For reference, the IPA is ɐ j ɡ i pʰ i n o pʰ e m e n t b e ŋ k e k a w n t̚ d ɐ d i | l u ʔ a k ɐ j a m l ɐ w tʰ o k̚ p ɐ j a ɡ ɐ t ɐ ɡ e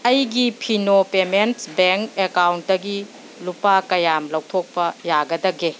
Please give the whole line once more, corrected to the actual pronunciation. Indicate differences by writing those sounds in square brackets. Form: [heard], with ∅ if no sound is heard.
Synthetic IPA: ɐ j ɡ i pʰ i n o [p] e m e n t b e ŋ k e k a w n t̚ d ɐ [ɡ] i | l u [p] a k ɐ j a m l ɐ w tʰ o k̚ p ɐ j a ɡ ɐ [d] ɐ ɡ e